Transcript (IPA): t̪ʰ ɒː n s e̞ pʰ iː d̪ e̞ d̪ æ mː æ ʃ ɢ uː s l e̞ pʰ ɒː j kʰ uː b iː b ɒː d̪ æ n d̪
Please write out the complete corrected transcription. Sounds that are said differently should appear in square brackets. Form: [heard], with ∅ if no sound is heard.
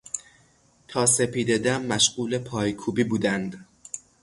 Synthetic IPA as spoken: t̪ʰ ɒː [∅] s e̞ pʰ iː d̪ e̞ d̪ æ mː æ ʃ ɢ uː [∅] l e̞ pʰ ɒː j kʰ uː b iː b [uː] d̪ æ n d̪